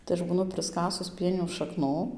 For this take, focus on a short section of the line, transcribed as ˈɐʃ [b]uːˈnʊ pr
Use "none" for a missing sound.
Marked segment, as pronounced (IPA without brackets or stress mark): b